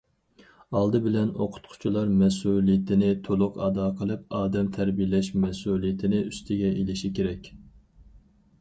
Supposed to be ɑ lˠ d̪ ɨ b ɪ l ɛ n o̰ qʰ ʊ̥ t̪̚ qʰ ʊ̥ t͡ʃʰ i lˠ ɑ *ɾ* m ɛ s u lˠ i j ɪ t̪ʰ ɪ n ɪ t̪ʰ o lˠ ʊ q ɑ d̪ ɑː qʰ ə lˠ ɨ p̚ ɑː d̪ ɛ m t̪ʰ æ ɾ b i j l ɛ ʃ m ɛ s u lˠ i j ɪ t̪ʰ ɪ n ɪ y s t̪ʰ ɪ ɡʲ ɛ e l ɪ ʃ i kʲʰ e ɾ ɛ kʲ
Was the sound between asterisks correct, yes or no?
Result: yes